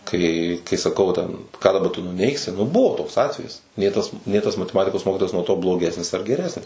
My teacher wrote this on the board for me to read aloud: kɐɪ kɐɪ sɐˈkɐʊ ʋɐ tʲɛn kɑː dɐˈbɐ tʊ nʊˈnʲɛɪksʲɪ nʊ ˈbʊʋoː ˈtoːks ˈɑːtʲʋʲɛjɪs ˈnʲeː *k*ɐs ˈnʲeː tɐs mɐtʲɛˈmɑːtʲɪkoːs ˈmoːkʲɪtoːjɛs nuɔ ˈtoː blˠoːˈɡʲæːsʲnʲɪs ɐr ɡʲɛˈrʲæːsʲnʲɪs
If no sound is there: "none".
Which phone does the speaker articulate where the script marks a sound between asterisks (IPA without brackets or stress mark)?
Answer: t